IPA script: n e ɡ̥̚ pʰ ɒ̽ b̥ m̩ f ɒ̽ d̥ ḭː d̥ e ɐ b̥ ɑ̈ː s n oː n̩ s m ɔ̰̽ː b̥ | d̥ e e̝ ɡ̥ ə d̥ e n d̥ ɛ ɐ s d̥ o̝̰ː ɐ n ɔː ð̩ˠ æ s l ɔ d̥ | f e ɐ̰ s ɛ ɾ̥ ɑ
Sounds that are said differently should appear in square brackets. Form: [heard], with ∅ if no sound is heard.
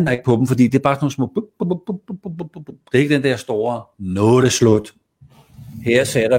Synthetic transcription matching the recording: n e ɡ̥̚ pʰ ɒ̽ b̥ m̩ f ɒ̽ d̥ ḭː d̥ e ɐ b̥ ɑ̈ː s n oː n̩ s m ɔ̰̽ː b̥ | d̥ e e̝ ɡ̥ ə d̥ e n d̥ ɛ ɐ s d̥ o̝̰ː ɐ n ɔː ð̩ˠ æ s l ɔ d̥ | [h] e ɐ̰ s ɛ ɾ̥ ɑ